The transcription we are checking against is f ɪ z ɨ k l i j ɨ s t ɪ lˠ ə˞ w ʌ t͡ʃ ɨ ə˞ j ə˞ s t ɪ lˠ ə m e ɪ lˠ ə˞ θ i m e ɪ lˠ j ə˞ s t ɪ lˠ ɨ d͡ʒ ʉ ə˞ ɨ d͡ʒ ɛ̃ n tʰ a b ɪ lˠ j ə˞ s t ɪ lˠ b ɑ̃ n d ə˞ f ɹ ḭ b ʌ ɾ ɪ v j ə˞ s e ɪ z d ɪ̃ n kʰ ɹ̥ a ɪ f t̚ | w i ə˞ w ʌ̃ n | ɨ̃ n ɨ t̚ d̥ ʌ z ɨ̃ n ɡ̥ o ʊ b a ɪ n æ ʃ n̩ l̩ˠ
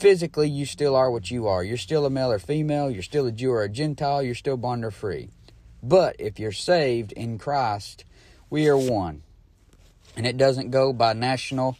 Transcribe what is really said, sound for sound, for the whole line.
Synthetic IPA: f ɪ z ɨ k l i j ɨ s t ɪ lˠ ə˞ w ʌ t͡ʃ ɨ ə˞ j ə˞ s t ɪ lˠ ə m e ɪ lˠ ə˞ f i m e ɪ lˠ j ə˞ s t ɪ lˠ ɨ d͡ʒ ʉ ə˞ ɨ d͡ʒ ɛ̃ n tʰ a ɪ lˠ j ə˞ s t ɪ lˠ b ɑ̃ n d ə˞ f ɹ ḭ b ʌ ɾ ɪ f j ə˞ s e ɪ v d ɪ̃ n kʰ ɹ̥ a ɪ s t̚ | w i ə˞ w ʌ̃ n | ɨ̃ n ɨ t̚ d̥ ʌ z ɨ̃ n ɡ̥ o ʊ b a ɪ n æ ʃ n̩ l̩ˠ